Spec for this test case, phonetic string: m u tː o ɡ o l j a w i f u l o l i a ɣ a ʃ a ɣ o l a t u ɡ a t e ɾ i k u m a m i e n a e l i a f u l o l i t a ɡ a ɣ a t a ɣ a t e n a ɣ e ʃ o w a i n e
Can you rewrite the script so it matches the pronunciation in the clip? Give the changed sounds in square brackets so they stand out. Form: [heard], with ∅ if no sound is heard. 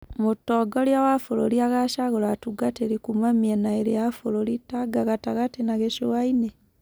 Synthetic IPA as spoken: m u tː o ɡ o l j a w [a] f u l o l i a ɣ a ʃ a ɣ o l a t u ɡ a t e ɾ i k u m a m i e n a e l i a f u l o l i t a ɡ a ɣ a t a ɣ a t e n a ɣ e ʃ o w a i n e